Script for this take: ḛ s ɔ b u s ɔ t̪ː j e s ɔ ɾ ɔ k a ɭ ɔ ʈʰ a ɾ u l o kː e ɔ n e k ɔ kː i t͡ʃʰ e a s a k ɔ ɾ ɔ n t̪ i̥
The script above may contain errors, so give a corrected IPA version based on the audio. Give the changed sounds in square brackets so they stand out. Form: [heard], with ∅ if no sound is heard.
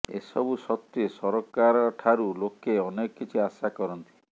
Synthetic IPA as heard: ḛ s ɔ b u s ɔ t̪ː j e s ɔ ɾ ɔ k a [ɾ] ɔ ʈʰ a ɾ u l o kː e ɔ n e k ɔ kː i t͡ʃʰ [i] a s a k ɔ ɾ ɔ n t̪ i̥